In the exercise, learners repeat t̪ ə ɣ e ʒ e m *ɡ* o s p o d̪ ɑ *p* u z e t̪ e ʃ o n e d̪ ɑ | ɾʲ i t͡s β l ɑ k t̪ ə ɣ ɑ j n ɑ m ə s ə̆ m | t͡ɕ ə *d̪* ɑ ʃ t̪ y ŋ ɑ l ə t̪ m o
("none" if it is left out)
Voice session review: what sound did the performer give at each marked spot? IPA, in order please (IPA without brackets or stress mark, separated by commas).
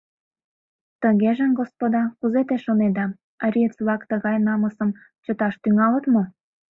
ɡ, k, t̪